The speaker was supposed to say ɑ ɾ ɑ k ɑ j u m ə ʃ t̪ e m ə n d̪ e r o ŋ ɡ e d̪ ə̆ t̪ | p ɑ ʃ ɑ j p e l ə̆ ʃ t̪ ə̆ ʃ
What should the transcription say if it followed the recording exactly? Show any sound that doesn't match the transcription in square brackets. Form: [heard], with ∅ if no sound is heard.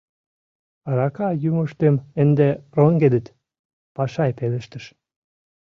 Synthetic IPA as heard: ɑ ɾ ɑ k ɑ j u m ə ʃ t̪ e m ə n d̪ e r o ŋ ɡ e d̪ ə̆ t̪ | p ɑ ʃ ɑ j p e l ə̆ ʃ t̪ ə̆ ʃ